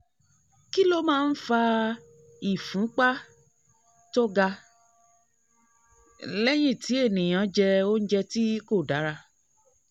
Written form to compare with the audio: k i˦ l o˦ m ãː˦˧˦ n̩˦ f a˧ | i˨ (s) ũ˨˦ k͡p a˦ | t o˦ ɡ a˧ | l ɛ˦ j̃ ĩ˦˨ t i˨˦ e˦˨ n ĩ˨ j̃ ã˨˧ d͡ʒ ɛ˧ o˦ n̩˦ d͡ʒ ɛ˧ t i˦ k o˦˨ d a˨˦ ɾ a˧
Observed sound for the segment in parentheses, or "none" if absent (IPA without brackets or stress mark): f